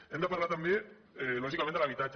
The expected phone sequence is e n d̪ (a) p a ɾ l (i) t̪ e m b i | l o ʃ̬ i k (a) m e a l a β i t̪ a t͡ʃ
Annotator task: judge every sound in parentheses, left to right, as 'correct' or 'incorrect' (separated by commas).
correct, incorrect, correct